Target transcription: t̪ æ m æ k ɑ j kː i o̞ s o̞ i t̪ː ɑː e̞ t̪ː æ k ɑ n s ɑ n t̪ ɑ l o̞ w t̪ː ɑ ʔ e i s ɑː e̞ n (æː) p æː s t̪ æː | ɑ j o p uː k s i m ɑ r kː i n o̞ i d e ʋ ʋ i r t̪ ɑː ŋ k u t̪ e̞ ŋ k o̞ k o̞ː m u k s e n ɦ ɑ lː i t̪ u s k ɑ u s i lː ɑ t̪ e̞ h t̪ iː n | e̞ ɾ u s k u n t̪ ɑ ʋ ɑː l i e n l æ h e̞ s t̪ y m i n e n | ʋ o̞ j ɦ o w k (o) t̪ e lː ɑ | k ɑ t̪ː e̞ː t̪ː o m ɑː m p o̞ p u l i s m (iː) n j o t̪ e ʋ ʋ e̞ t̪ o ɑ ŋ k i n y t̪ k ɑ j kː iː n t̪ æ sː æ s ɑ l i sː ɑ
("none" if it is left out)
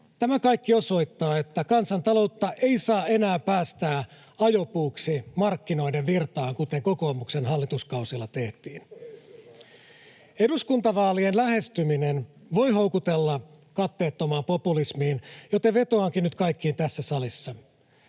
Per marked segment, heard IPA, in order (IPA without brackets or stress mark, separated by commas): æː, u, iː